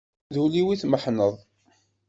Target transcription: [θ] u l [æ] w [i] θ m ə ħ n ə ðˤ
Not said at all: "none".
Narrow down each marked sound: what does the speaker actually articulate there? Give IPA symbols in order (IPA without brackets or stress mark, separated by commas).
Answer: ð, i, i